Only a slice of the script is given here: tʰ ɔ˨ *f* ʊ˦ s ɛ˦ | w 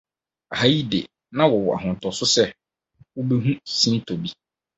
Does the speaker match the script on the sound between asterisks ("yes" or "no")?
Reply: no